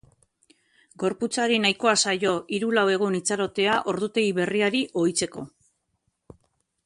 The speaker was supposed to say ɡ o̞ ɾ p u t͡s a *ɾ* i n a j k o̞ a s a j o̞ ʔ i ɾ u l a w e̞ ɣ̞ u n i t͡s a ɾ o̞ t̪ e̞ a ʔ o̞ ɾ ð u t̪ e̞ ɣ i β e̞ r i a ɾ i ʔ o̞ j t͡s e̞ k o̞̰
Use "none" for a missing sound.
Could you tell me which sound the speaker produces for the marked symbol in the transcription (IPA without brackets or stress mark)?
ɾ